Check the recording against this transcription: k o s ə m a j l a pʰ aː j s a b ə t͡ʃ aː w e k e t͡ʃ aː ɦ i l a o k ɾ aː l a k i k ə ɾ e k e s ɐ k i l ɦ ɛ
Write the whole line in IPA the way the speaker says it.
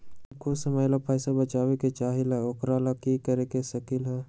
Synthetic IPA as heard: k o s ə m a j l a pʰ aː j s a b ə t͡ʃ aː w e k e t͡ʃ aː ɦ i l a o k ɾ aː l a k i k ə ɾ e k e s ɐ k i l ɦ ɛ

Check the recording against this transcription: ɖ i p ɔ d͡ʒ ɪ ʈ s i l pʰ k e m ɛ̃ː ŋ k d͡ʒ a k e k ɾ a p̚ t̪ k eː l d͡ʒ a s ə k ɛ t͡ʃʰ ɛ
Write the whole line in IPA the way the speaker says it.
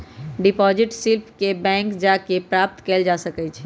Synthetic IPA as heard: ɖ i p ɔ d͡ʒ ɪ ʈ s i l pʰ k e b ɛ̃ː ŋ k d͡ʒ a k e p ɾ a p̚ t̪ k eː l d͡ʒ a s ə k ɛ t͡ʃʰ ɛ

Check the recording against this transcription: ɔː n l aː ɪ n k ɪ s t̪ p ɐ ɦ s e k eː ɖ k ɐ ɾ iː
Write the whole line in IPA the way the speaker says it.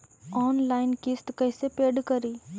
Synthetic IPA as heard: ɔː n l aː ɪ n k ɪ s t̪ k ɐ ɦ s e p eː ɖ k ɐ ɾ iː

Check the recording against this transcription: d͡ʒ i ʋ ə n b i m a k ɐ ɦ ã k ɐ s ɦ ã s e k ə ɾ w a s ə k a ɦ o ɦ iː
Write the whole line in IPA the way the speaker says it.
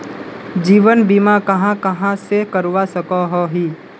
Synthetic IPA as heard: d͡ʒ iː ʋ ə n b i m a k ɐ ɦ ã k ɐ ɦ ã s e k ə ɾ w a s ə k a ɦ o ɦ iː

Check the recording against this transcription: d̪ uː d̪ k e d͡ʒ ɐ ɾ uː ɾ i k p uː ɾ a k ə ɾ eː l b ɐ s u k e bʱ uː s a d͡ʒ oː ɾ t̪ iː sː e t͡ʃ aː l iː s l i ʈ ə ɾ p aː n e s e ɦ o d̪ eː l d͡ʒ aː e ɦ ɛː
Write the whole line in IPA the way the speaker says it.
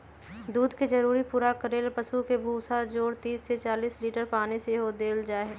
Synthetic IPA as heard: d̪ uː d̪ k e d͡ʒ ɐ ɾ uː ɾ i p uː ɾ a k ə ɾ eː l p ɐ s u k e bʱ uː s a d͡ʒ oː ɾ t̪ iː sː e t͡ʃ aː l iː s l iː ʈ ə ɾ p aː n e s e ɦ o d̪ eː l d͡ʒ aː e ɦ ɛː

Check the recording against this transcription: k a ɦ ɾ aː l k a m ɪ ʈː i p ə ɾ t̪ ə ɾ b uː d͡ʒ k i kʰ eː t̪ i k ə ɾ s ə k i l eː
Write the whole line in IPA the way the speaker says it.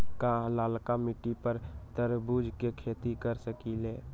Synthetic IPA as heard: k a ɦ l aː l k a m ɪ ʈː i p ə ɾ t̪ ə ɾ b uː d͡ʒ k e kʰ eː t̪ i k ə ɾ s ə k i l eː

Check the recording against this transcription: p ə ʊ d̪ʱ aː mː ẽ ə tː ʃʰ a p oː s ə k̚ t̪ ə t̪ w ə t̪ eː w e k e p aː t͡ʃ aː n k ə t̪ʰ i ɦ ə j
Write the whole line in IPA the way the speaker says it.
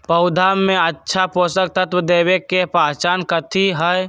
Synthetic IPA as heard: p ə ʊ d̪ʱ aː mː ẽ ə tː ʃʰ a p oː s ə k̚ t̪ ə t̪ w ə d̪ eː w e k e p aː t͡ʃ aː n k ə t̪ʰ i ɦ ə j

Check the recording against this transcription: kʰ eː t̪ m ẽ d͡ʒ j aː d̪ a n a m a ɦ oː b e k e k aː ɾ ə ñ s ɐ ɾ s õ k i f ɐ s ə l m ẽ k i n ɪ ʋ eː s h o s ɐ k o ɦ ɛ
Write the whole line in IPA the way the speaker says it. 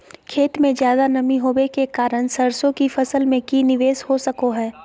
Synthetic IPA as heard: kʰ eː t̪ m ẽ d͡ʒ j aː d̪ a n ɐ m i ɦ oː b e k e k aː ɾ ə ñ s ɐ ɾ s õ k i f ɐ s ə l m ẽ k i n ɪ ʋ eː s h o s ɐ k o ɦ ɛː

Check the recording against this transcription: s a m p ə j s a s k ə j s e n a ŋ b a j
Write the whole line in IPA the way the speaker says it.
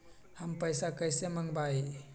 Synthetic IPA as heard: h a m p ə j s a k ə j s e m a ŋ b a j

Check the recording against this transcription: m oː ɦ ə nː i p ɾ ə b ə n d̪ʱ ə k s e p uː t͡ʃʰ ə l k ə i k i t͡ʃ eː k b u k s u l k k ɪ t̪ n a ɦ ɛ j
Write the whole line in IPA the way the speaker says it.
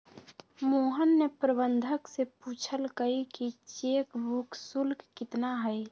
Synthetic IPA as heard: m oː ɦ ə nː e p ɾ ə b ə n d̪ʱ ə k s e p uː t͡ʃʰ ə l k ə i k i t͡ʃ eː k b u k s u l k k ɪ t̪ n a ɦ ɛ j

